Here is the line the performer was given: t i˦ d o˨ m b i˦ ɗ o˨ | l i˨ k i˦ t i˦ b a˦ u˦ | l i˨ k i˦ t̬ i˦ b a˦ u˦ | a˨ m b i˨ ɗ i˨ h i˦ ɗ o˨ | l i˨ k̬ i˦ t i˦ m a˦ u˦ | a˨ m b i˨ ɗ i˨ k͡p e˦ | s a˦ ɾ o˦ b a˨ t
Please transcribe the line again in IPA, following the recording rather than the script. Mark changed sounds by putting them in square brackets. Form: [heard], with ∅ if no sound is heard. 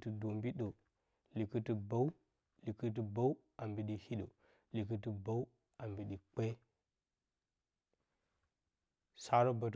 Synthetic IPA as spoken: t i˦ d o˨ m b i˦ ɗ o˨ | l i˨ k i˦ t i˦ b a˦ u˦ | l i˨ k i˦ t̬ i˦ b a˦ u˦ | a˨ m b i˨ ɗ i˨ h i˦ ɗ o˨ | l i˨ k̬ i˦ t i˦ [b] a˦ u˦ | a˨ m b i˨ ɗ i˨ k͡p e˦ | s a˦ ɾ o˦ b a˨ t